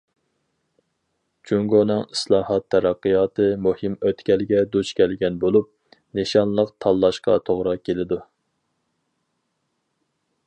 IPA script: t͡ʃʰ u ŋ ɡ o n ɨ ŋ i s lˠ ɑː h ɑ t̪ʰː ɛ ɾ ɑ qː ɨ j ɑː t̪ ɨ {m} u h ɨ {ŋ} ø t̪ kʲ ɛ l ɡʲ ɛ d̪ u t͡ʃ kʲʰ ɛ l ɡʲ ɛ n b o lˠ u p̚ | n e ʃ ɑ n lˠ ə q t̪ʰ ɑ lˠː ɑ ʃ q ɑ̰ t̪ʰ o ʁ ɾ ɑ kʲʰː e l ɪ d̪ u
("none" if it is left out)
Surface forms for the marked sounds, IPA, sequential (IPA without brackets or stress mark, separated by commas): m, m